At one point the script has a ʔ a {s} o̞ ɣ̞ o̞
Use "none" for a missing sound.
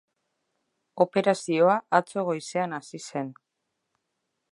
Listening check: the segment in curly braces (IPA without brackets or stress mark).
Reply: t͡s